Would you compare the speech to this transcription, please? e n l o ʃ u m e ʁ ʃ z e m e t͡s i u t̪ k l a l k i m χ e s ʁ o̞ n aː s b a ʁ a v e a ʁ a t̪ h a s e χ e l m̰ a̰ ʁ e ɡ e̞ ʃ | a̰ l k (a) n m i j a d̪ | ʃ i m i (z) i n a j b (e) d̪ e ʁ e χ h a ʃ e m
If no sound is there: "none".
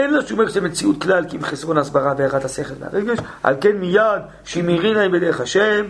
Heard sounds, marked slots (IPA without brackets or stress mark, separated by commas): e, ʁ, e